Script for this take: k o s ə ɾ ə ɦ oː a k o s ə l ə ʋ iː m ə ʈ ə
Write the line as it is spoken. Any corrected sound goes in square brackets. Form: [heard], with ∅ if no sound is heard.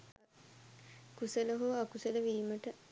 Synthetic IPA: k [u] s ə [l] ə ɦ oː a k [u] s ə l ə ʋ iː m ə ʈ ə